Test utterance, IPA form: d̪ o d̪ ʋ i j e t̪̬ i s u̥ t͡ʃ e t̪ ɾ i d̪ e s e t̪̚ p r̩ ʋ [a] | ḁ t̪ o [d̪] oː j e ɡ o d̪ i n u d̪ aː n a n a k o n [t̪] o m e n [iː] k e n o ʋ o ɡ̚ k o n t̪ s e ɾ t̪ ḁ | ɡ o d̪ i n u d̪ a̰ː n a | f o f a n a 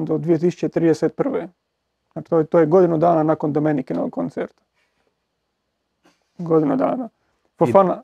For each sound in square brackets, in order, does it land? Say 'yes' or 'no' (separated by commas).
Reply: no, no, no, no